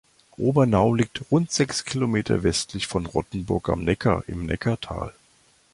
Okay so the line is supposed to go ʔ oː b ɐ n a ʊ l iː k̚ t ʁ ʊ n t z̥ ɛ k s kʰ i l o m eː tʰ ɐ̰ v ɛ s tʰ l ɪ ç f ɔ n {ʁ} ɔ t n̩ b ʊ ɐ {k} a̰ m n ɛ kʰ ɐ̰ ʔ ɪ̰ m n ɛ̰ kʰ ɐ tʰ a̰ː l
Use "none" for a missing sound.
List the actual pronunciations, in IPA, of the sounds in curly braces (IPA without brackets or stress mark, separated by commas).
ʁ, k